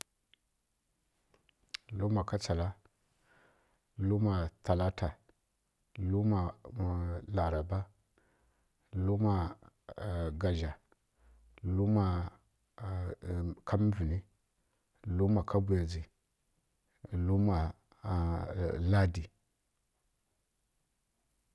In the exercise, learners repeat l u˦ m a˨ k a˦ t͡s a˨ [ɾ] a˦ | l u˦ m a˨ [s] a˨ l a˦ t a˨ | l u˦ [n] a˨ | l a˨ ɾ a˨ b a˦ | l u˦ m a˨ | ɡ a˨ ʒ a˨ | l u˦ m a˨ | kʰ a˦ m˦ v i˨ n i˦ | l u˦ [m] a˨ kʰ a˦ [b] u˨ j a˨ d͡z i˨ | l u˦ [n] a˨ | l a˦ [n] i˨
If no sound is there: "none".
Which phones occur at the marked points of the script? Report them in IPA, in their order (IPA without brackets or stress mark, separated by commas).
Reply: l, t, m, m, b, m, d